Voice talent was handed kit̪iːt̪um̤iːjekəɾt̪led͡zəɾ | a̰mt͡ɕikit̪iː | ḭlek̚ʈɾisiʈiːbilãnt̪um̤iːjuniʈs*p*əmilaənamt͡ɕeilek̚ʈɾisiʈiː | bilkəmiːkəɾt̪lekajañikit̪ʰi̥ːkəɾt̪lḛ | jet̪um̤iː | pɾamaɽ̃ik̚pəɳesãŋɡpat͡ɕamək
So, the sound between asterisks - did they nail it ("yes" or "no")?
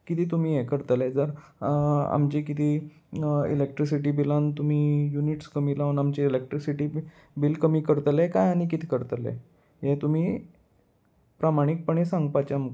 no